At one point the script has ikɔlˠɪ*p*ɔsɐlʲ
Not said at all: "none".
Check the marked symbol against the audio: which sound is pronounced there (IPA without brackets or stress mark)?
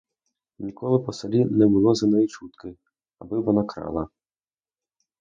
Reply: p